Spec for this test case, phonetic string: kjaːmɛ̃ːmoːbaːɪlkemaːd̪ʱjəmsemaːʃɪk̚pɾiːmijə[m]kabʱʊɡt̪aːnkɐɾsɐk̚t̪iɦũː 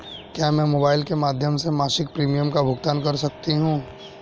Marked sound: correct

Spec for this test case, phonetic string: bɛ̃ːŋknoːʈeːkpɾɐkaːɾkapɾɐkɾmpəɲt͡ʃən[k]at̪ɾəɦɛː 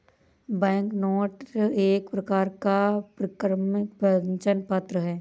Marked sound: incorrect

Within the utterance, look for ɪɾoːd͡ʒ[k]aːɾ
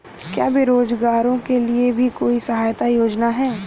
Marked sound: incorrect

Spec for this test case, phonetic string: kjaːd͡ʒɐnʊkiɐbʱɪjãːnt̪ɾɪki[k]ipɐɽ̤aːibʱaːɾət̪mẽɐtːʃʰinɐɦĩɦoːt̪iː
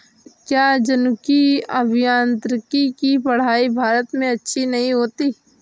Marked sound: correct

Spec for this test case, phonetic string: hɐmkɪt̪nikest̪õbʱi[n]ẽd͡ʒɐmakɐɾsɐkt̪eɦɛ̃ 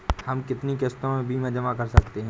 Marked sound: incorrect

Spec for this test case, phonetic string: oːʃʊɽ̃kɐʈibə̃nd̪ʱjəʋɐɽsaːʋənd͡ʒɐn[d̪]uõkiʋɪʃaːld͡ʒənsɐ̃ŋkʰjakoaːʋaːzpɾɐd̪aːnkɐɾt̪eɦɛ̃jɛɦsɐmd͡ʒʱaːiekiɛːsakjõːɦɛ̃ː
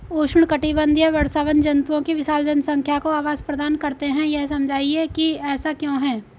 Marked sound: incorrect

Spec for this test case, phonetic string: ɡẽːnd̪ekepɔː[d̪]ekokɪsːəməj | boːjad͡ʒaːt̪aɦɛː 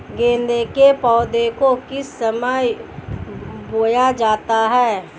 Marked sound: correct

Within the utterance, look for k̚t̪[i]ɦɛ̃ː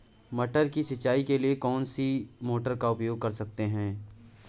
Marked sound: incorrect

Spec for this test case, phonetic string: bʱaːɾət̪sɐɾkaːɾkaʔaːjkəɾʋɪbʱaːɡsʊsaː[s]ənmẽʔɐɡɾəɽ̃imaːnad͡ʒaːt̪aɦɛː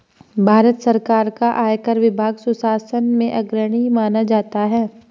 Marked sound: correct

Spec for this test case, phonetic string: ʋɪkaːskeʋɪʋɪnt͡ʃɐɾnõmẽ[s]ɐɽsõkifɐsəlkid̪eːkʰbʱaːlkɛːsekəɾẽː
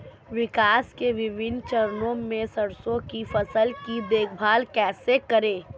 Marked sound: correct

